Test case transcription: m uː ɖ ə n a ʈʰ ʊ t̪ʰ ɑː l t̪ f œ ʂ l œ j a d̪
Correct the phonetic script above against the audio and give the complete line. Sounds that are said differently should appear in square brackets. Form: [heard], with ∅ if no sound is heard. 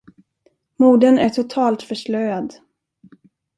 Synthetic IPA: m uː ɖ ə n [æ] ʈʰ ʊ t̪ʰ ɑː l t̪ f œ ʂ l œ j a d̪